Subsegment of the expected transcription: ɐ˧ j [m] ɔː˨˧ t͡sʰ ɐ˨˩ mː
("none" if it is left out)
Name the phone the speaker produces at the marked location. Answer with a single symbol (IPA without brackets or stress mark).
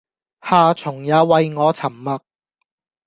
ŋ